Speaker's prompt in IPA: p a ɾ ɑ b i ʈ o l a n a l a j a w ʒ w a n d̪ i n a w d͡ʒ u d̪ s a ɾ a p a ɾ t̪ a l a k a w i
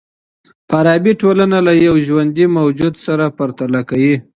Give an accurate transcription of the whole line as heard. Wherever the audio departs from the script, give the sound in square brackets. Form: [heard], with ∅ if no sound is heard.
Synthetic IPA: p a ɾ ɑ b i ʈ o l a n a l a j a w ʒ w a n d̪ i [m] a w d͡ʒ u d̪ s a ɾ a p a ɾ t̪ a l a k a w i

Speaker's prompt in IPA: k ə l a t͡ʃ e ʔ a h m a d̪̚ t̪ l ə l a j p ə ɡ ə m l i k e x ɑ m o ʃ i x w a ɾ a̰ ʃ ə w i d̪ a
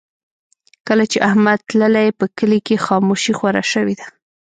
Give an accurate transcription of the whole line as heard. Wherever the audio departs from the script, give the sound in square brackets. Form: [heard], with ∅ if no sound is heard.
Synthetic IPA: k ə l a t͡ʃ e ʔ a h m a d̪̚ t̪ l ə l a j p ə [k] ə [∅] l i k e x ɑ m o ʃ i x w a ɾ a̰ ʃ ə w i d̪ a

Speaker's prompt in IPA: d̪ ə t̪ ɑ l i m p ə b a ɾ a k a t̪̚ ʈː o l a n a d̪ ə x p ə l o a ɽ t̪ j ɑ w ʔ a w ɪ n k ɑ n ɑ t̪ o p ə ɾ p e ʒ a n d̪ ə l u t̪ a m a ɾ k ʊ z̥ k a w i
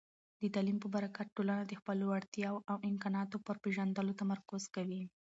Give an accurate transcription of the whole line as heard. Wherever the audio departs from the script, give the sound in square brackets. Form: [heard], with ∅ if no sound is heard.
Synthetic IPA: d̪ ə t̪ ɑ l i m p ə b a ɾ a k a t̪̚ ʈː o l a n a d̪ ə x p ə l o a ɽ t̪ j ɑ w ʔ a w ɪ [m] k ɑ n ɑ t̪ o p ə ɾ p e ʒ a n d̪ ə l [o] t̪ a m a ɾ k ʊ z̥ k a w i

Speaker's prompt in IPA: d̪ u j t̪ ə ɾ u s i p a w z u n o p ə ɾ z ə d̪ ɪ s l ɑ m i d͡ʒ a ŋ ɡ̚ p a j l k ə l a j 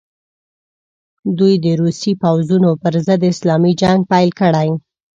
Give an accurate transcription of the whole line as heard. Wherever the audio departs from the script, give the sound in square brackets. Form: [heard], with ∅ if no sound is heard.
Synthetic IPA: d̪ u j [d̪] ə ɾ u s i p a w z u n o p ə ɾ z ə d̪ ɪ s l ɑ m i d͡ʒ a ŋ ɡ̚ p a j l k ə [ɽ] a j

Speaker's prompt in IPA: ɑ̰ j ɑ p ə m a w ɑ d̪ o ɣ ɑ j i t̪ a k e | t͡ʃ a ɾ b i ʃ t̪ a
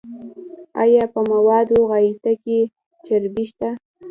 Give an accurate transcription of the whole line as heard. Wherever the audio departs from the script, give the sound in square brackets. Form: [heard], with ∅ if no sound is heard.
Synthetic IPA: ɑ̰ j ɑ p ə m a w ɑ d̪ o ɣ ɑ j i t̪ a k e | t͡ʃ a ɾ b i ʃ t̪ a

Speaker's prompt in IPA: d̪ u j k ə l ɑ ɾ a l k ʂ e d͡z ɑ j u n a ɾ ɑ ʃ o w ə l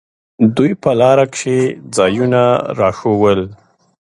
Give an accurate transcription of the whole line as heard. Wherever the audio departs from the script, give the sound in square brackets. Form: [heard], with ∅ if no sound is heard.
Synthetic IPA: d̪ u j [p] ə l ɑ ɾ a [∅] k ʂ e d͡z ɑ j u n a ɾ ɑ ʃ o w ə l

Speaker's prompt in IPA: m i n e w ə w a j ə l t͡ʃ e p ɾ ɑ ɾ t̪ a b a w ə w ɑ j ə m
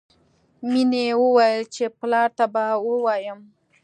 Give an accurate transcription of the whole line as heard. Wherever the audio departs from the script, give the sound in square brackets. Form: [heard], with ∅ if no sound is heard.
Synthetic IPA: m i n e w ə w a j ə l t͡ʃ e p [l] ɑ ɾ t̪ a b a w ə w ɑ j ə m

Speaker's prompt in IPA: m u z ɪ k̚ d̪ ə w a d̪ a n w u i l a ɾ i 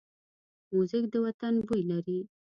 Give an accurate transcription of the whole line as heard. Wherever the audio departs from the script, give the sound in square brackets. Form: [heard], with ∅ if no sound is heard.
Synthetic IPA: m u z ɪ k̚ d̪ ə w a [t̪] a n [b] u [j] l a ɾ i

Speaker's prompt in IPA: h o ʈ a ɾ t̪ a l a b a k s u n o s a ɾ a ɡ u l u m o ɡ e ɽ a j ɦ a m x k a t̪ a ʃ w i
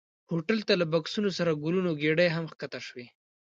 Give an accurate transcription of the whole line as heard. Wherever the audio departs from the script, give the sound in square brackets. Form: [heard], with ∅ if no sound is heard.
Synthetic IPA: h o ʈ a [l] t̪ a l a b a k s u n o s a ɾ a ɡ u l u [n] o ɡ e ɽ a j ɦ a m x k a t̪ a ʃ w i

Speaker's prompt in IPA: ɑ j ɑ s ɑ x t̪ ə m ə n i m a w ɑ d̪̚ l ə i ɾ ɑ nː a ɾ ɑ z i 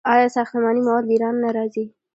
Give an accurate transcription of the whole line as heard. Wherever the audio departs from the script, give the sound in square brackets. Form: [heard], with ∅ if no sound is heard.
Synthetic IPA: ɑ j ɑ s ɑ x t̪ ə m [ɑ] n i m a w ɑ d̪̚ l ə i ɾ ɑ nː a ɾ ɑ z i

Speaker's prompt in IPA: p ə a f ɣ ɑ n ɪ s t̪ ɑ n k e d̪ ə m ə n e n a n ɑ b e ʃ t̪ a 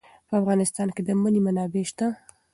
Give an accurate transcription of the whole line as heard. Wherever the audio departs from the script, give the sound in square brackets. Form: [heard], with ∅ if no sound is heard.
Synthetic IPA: p ə a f ɣ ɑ n ɪ s t̪ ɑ n k e d̪ ə m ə n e [m] a n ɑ b e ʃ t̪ a

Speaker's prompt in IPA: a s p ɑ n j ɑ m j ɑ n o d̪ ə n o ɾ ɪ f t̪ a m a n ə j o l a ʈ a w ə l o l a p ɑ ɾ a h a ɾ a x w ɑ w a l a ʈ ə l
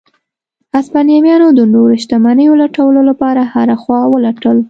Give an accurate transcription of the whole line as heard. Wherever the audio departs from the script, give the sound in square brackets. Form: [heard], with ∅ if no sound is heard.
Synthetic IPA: a s p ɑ n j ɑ m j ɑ n o d̪ ə n o ɾ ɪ [ʃ] t̪ a m a n ə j o l a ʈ a w ə l o l a p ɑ ɾ a h a ɾ a x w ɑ w [ə] l a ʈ ə l

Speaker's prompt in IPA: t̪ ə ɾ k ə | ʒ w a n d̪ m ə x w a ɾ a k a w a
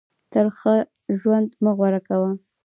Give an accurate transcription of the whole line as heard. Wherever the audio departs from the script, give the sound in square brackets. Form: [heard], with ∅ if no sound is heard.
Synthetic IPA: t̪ ə ɾ [x] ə | ʒ w a n d̪ m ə [ɣ] w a ɾ a k a w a

